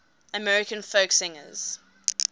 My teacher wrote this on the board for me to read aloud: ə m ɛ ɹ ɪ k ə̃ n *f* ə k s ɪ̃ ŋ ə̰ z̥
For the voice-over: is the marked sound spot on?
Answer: yes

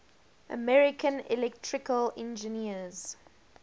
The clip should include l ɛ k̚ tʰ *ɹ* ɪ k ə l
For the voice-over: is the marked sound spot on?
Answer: yes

